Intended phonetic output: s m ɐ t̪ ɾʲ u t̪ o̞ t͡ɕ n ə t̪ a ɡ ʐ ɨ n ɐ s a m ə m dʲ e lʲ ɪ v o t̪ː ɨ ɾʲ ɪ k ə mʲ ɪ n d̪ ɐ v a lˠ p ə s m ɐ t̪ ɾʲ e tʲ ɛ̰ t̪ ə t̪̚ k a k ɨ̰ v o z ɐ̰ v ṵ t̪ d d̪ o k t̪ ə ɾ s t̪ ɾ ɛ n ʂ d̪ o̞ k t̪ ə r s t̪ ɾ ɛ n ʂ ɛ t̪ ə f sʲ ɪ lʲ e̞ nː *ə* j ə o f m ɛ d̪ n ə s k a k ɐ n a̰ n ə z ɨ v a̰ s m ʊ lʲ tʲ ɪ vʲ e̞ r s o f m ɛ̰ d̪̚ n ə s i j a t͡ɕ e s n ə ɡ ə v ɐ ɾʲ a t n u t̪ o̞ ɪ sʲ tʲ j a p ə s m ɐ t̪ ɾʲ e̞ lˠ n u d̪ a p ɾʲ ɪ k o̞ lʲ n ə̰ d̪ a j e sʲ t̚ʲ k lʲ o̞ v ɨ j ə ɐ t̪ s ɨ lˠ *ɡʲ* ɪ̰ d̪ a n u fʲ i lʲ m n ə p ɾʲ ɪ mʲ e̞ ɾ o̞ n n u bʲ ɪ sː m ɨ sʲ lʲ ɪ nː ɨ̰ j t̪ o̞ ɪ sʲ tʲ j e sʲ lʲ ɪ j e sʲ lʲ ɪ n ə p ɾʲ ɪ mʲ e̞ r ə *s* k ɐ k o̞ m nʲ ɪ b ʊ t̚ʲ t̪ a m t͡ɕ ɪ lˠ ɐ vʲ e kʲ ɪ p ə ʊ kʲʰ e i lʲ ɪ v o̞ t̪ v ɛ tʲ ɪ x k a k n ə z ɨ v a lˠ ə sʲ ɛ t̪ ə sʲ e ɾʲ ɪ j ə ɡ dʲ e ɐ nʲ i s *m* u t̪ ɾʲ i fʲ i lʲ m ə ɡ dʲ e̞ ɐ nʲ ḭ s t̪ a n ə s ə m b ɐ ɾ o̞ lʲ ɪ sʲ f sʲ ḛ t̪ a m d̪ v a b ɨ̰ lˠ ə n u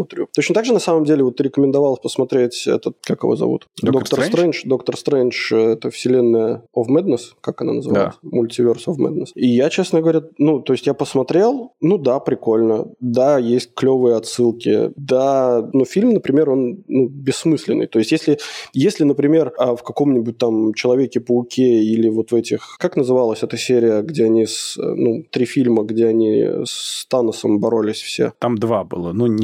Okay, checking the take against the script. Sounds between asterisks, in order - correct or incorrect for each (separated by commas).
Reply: correct, incorrect, incorrect, incorrect